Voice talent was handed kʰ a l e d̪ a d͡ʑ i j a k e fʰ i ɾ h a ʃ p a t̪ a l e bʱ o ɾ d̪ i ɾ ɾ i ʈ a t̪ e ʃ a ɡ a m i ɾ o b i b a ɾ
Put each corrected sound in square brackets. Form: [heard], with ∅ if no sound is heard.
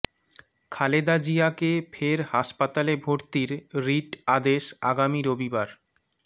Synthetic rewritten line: kʰ a l e d̪ a d͡ʑ i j a k e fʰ [e] ɾ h a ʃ p a t̪ a l e bʱ o ɾ [t̪] i ɾ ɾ i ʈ a [d̪] e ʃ a ɡ a m i ɾ o b i b a ɾ